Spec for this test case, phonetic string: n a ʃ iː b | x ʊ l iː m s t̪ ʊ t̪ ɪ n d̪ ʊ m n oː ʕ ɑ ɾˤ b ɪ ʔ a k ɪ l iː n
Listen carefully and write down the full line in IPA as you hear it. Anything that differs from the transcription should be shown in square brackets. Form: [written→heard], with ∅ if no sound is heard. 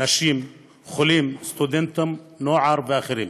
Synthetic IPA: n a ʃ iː [b→m] | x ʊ l iː m s t̪ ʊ [t̪→d̪] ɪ n [d̪→t̪] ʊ m n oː ʕ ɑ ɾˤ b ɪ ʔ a [k→x] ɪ [l→ɾ] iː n